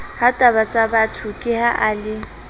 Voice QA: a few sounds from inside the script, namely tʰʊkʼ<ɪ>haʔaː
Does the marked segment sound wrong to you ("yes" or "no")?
no